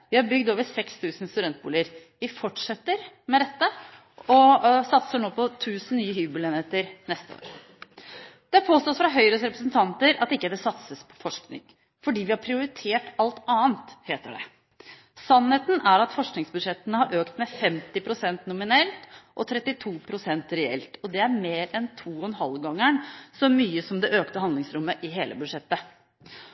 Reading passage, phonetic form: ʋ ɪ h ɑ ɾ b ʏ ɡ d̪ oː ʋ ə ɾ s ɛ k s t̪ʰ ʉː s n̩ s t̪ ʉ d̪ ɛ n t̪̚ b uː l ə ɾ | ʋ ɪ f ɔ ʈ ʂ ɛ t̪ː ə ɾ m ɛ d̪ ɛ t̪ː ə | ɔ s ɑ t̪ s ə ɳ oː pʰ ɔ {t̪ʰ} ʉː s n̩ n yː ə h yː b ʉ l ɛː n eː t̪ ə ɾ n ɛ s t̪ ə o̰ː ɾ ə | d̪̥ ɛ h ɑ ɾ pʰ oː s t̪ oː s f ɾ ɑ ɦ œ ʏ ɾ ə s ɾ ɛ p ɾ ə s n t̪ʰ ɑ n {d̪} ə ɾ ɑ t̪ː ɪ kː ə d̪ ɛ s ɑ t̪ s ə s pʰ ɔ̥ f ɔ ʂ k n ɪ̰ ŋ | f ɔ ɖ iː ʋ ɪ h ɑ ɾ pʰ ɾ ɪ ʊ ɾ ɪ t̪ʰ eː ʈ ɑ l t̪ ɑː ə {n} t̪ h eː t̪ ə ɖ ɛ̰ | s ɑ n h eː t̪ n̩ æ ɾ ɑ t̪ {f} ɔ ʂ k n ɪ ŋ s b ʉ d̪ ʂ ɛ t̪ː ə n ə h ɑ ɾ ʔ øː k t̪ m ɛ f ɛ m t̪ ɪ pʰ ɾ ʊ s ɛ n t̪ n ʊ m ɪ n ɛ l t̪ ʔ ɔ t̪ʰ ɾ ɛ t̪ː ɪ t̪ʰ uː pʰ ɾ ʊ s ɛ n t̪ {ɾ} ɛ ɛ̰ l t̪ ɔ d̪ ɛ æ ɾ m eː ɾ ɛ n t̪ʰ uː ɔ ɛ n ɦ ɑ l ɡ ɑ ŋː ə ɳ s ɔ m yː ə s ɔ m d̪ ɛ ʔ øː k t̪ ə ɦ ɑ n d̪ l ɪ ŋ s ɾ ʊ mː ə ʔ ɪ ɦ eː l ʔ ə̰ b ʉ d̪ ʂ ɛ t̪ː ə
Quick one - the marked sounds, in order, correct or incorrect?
correct, incorrect, correct, correct, correct

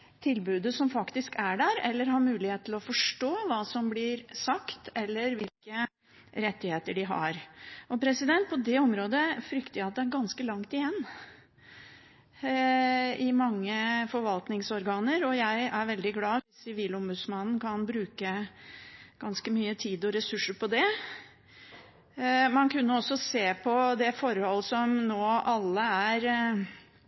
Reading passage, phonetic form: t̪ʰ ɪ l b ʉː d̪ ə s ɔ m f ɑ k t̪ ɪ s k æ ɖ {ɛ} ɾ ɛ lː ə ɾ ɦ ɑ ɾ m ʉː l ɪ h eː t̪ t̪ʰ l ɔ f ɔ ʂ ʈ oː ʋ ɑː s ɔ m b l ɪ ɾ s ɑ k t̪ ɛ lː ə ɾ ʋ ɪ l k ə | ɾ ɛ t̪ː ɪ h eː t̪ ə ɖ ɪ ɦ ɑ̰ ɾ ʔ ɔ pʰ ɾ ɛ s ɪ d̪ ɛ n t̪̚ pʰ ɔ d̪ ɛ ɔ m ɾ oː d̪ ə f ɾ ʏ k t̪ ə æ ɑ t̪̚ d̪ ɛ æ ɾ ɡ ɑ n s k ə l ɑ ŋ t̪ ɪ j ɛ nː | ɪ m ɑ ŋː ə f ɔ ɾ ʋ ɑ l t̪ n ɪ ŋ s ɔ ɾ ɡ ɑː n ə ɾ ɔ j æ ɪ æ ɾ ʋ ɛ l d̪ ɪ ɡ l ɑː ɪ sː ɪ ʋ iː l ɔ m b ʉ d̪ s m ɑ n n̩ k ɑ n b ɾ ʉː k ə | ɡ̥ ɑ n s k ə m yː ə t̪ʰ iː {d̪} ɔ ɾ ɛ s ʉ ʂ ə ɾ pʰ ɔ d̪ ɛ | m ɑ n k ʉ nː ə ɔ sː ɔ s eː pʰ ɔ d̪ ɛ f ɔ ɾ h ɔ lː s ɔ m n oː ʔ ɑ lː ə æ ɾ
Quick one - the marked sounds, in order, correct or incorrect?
incorrect, correct

